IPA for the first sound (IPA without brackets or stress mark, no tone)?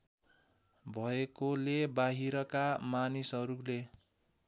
bʱ